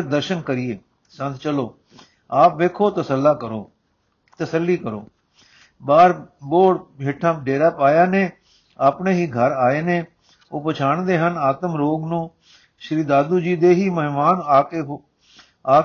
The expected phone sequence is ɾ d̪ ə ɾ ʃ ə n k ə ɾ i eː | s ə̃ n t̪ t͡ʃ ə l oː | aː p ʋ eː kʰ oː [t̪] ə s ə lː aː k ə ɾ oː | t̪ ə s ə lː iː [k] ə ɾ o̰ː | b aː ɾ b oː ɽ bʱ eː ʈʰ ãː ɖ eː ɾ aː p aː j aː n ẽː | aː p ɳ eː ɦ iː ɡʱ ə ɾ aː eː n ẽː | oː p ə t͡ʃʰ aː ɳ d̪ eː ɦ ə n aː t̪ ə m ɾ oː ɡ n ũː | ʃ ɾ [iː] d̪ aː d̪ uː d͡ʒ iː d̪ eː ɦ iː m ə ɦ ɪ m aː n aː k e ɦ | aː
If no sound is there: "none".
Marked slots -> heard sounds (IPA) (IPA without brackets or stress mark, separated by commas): t̪, k, iː